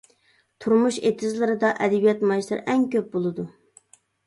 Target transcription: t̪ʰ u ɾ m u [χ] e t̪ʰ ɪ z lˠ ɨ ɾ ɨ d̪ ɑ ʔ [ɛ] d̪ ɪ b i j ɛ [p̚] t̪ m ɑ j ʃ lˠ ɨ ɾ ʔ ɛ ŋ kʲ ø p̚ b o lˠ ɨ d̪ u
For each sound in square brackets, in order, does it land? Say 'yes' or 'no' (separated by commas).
no, yes, no